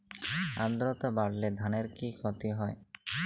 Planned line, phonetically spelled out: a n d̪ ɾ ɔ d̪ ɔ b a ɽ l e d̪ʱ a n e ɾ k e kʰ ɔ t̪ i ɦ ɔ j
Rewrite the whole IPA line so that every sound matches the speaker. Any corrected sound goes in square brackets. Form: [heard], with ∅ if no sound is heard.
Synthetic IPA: a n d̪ ɾ ɔ [t̪] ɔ b a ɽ l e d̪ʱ a n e ɾ k [i] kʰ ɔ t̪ i ɦ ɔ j